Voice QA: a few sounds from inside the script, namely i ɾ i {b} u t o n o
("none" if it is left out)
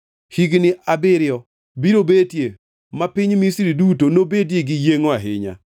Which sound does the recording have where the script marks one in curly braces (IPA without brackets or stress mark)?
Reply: d